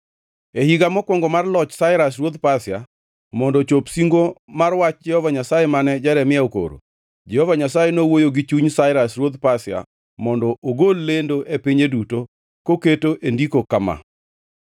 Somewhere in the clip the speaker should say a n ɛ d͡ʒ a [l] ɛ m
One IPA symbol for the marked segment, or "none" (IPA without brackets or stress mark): ɾ